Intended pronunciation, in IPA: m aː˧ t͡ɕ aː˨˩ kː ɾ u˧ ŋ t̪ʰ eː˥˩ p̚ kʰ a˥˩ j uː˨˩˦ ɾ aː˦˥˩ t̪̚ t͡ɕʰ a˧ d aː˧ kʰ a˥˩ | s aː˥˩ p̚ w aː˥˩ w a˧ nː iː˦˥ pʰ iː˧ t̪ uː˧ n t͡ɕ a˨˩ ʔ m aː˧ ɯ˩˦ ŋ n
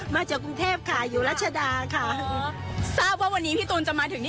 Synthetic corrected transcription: m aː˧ t͡ɕ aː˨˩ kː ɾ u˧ ŋ t̪ʰ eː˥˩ p̚ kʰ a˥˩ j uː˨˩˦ ɾ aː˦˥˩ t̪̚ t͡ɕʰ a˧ d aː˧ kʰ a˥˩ | s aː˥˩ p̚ w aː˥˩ w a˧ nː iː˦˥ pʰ iː˥˩ t̪ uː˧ n t͡ɕ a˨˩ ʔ m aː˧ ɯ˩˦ ŋ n

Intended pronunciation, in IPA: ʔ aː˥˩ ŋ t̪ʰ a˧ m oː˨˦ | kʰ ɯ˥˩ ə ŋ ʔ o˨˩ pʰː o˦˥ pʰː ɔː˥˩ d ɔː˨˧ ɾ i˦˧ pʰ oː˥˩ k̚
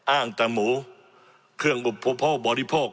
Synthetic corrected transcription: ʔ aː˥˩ ŋ t̪ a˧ m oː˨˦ | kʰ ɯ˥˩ ə ŋ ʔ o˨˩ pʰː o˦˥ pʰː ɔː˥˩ b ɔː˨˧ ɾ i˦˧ pʰ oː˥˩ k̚

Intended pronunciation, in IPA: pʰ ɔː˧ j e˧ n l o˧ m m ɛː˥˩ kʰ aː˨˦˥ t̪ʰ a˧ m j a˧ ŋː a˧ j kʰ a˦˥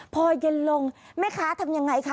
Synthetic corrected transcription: pʰ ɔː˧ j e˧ n l o˧ ŋ m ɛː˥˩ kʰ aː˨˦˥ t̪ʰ a˧ m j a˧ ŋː a˧ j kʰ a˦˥

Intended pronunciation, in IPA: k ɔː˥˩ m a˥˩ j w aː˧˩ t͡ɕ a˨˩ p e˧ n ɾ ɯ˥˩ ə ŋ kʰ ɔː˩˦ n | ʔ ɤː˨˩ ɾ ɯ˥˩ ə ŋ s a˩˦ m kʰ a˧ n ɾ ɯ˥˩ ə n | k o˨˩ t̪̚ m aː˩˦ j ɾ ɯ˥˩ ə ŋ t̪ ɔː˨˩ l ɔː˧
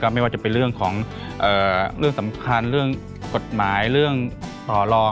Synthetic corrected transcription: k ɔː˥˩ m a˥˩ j w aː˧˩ t͡ɕ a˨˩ p e˧ n ɾ ɯ˥˩ ə ŋ kʰ ɔː˩˦ ŋ | ʔ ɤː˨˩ ɾ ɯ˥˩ ə ŋ s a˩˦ m kʰ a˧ n ɾ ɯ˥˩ ə ŋ | k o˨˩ t̪̚ m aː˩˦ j ɾ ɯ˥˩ ə ŋ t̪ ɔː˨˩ l ɔː˧

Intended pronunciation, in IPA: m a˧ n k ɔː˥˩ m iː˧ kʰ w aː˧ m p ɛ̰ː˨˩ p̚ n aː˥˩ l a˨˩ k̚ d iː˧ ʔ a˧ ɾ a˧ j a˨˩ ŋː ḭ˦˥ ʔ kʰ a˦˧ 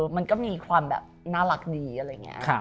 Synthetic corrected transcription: m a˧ n k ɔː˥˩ m iː˧ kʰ w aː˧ m b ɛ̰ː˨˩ p̚ n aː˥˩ l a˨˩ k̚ d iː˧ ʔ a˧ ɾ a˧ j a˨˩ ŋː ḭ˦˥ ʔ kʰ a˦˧

